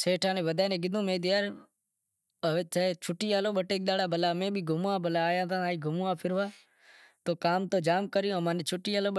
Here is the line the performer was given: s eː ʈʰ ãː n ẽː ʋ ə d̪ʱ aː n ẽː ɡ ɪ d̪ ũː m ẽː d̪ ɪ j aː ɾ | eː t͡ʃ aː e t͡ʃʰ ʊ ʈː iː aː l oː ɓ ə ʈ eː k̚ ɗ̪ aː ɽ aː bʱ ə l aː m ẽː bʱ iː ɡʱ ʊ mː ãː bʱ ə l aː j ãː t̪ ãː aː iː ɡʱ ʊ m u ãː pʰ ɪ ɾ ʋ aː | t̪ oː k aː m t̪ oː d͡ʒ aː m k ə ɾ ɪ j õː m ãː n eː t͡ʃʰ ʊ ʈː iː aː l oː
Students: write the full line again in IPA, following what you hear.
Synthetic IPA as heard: s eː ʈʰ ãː n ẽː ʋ ə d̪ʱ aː n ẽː ɡ ɪ d̪ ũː m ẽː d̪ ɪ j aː ɾ | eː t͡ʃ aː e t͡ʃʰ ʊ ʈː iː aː l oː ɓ ə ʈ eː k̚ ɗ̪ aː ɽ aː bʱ ə l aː m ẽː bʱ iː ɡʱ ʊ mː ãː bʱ ə l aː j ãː t̪ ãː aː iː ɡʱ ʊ m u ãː pʰ ɪ ɾ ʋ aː | t̪ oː k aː m t̪ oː d͡ʒ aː m k ə ɾ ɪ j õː m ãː n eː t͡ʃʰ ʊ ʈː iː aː l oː